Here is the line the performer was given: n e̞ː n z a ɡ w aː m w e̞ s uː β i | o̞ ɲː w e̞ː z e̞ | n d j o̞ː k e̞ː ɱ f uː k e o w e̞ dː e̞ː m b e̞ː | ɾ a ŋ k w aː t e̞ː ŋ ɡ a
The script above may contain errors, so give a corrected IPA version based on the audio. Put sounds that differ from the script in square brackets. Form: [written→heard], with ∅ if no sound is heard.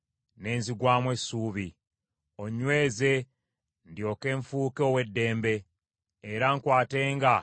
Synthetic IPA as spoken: n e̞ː n z [a→i] ɡ w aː m w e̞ s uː β i | o̞ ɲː w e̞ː z e̞ | n d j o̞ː k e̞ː ɱ f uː k e o w e̞ dː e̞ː m b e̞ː | ɾ a ŋ k w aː t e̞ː ŋ ɡ a